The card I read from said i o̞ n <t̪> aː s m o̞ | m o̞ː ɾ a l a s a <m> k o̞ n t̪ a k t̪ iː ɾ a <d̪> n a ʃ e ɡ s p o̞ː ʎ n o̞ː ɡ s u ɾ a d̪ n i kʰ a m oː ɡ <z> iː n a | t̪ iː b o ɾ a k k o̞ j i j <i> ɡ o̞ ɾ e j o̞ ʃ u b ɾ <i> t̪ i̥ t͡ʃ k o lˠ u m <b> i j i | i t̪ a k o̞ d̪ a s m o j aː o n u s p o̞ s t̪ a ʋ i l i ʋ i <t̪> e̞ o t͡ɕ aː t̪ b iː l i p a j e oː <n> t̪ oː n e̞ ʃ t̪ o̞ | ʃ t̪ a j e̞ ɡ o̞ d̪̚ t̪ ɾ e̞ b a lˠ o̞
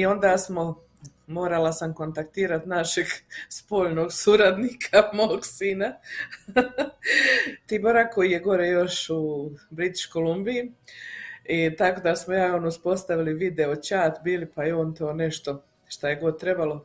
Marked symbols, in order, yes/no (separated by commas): no, yes, no, no, no, yes, yes, no, yes